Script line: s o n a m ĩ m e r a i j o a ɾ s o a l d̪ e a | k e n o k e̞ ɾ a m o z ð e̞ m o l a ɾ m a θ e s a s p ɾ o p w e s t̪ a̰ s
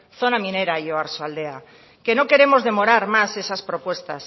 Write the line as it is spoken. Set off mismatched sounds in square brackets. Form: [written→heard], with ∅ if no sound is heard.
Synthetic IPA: [s→θ] o n a m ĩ [m→n] e [r→ɾ] a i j o a ɾ s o a l d̪ e a | k e n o k e̞ ɾ [a→e] m o z ð e̞ m o [l→ɾ] a ɾ m a [θ→s] e s a s p ɾ o p w e s t̪ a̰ s